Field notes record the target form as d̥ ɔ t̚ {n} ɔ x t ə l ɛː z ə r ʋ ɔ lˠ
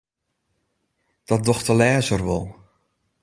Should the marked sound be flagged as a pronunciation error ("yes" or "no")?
yes